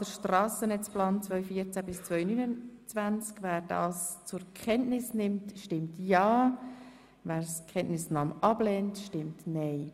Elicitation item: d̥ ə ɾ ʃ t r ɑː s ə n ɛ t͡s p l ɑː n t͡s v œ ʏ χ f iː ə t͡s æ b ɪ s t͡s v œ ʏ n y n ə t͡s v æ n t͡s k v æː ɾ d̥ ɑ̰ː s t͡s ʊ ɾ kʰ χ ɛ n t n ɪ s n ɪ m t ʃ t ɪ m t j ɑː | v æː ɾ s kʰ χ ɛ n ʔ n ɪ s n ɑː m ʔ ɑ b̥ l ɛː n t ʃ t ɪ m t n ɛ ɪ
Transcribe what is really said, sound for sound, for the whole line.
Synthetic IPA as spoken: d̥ ə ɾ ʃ t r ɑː s ə n ɛ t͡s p l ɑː n t͡s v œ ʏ f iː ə t͡s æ b ɪ s t͡s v œ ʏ n y n ə t͡s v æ n t͡s k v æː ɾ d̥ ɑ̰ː s t͡s ʊ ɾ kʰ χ ɛ n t n ɪ s n ɪ m t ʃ t ɪ m t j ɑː | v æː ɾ s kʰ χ ɛ n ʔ n ɪ s n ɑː m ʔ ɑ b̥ l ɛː n t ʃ t ɪ m t n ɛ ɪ